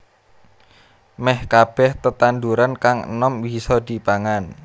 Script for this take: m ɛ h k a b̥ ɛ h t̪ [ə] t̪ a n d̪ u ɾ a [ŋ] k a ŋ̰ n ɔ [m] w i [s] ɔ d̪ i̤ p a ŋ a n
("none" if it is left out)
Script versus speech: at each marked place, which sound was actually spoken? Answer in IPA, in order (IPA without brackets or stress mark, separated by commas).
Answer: ə, n, m, s